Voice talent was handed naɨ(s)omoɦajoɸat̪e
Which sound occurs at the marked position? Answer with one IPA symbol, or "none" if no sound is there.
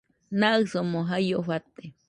s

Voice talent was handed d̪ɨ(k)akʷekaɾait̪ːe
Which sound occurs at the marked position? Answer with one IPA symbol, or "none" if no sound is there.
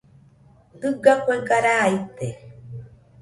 ɡ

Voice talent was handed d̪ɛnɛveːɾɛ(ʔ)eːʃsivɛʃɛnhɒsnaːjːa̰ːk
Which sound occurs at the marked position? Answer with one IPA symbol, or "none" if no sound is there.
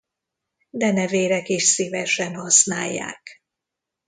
k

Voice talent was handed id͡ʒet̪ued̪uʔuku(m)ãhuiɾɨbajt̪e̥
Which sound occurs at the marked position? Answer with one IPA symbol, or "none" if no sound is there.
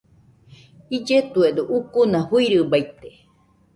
n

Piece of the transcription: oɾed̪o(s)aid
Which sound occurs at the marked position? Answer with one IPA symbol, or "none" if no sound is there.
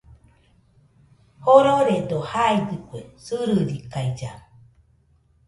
h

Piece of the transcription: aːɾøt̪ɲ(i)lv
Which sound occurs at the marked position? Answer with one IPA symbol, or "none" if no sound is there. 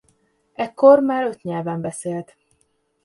ɛ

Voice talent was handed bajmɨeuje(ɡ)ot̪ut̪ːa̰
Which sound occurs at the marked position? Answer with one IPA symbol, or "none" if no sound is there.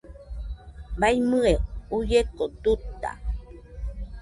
k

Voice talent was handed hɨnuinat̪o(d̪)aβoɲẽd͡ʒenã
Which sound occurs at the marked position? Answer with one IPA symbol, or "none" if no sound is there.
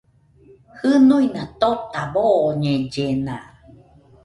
t̪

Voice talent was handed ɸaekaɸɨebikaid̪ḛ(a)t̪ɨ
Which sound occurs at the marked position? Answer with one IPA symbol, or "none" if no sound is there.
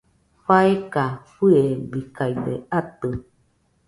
a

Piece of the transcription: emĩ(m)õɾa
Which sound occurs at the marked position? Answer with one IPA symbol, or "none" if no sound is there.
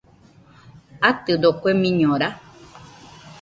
ɲ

